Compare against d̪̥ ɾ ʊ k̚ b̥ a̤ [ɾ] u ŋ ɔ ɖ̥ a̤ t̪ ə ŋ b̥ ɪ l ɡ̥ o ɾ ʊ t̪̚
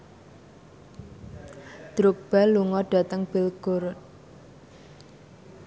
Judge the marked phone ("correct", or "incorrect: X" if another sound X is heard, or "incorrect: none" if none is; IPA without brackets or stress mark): incorrect: l